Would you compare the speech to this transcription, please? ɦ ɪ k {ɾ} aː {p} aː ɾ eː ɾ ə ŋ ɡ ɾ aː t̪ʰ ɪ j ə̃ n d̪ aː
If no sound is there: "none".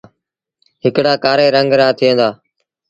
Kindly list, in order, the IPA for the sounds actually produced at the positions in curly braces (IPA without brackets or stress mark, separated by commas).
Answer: ɽ, k